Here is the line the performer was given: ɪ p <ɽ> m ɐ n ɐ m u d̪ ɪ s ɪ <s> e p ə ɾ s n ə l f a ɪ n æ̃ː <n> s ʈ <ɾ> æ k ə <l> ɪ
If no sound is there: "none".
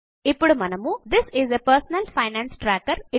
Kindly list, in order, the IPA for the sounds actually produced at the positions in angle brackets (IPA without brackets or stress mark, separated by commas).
ɽ, z, n, ɾ, ɾ